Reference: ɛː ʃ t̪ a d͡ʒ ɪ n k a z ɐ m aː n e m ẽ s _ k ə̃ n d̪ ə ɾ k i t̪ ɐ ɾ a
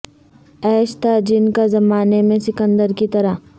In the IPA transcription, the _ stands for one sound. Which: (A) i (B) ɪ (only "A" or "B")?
B